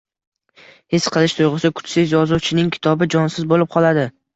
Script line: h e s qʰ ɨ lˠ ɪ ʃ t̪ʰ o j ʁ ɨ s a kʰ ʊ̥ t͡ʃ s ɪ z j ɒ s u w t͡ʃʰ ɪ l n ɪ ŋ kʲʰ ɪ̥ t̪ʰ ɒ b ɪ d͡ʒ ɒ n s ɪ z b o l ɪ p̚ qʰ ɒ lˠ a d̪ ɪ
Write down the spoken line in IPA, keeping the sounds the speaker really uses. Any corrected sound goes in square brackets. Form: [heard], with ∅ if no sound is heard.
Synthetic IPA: h e s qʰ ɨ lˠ ɪ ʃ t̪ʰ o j ʁ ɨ s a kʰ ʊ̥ t͡ʃ s ɪ z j ɒ [z] u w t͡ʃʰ ɪ [∅] n ɪ ŋ kʲʰ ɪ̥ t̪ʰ ɒ b ɪ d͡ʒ ɒ n s ɪ z b o l ɪ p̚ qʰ ɒ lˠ a d̪ ɪ